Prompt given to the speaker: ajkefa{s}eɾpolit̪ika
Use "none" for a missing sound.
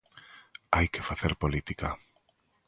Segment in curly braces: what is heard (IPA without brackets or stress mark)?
θ